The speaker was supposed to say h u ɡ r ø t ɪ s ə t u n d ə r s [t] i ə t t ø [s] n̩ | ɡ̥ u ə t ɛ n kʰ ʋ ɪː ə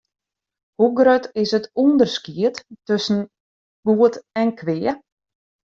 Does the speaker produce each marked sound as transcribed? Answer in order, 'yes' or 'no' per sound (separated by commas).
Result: no, yes